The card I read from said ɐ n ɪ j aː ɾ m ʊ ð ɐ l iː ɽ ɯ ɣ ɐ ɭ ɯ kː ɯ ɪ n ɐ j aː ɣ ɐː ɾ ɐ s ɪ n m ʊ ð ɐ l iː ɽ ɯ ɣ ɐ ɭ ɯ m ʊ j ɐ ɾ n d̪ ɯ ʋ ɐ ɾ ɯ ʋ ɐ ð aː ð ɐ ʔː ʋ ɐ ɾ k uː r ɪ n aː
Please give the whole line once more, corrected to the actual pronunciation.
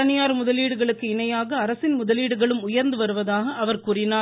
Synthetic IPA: ɐ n ɪ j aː ɾ m ʊ ð ɐ l iː ɽ ɯ ɣ ɐ ɭ ɯ kː ɯ ɪ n ɐ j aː ɣ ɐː ɾ ɐ s ɪ n m ʊ ð ɐ l iː ɽ ɯ ɣ ɐ ɭ ɯ m ʊ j ɐ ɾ n d̪ ɯ ʋ ɐ ɾ ɯ ʋ ɐ ð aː ɣ ɐ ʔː ʋ ɐ ɾ k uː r ɪ n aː